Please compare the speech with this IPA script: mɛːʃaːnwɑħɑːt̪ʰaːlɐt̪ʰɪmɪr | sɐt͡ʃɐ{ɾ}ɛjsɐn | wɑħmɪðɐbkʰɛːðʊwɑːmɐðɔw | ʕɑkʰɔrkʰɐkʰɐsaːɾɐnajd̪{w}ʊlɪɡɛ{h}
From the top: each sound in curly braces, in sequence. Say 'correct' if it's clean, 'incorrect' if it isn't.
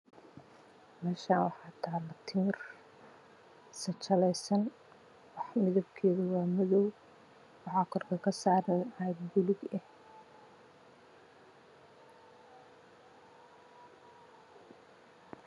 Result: incorrect: l, incorrect: b, correct

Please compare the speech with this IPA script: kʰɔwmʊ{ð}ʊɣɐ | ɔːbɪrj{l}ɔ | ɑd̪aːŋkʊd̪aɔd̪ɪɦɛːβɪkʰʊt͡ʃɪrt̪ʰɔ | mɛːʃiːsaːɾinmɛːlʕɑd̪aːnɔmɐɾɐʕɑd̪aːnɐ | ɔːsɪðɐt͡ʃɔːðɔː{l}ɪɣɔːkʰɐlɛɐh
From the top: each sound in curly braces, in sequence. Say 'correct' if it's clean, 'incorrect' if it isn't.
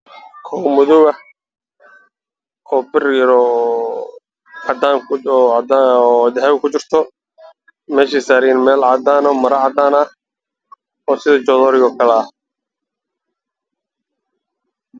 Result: correct, incorrect: ɾ, incorrect: ɾ

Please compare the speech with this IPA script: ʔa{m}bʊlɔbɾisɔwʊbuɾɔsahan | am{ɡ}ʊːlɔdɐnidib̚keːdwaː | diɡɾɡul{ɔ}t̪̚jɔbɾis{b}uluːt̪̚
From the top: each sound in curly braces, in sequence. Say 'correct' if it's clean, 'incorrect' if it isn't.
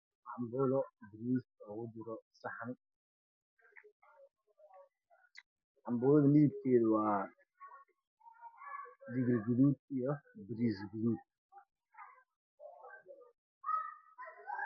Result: correct, incorrect: b, incorrect: u, incorrect: ɡ

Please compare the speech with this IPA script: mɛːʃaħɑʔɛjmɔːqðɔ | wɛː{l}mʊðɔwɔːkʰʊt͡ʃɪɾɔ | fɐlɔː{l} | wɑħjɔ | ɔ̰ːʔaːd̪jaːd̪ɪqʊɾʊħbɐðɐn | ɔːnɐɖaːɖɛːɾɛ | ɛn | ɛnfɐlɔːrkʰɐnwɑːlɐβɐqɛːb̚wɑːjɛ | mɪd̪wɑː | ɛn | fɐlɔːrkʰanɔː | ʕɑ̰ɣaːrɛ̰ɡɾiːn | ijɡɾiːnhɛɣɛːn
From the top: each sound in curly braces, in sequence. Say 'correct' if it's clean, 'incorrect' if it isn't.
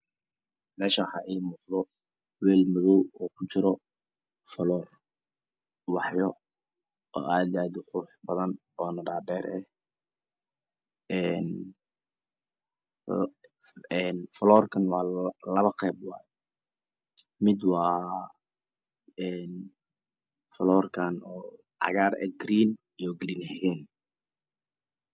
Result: correct, incorrect: r

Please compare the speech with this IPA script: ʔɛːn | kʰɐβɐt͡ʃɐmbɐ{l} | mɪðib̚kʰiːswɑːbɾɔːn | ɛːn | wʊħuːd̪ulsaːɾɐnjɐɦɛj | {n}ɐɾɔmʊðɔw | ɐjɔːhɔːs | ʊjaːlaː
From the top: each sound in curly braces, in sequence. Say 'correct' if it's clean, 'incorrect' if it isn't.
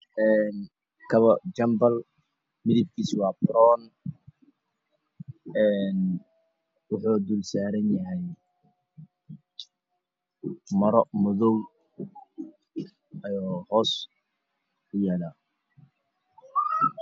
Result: correct, incorrect: m

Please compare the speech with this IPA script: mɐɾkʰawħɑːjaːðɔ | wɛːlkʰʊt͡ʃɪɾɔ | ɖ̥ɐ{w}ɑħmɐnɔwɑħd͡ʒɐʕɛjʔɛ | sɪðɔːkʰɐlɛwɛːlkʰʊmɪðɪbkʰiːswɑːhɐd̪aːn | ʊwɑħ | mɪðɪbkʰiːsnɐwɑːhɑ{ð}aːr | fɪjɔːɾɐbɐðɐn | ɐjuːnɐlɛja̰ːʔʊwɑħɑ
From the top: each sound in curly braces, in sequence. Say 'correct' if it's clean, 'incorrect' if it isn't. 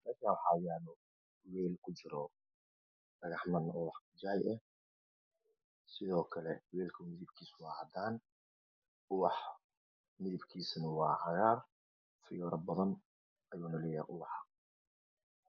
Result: incorrect: ɣ, incorrect: ɣ

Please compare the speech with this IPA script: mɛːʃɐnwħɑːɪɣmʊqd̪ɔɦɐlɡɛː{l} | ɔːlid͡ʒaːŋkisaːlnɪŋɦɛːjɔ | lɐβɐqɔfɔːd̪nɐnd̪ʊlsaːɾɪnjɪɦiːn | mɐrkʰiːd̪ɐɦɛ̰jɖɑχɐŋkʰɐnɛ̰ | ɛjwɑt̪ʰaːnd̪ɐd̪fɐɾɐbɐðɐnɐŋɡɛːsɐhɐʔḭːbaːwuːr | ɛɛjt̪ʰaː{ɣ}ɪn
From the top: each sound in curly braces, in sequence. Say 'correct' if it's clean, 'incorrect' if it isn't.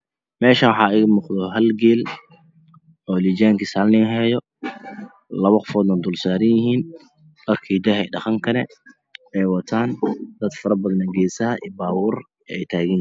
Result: correct, correct

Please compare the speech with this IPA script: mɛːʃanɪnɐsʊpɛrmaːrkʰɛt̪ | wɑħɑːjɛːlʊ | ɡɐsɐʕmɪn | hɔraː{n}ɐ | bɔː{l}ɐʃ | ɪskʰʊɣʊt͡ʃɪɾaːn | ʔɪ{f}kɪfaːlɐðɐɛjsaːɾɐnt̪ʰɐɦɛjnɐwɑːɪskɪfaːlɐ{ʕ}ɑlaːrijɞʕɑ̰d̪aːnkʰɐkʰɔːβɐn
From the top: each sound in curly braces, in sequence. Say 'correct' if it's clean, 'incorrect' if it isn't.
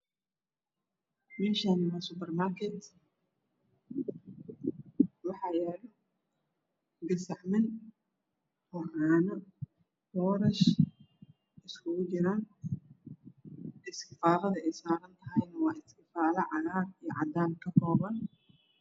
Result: correct, incorrect: ɾ, incorrect: s, correct

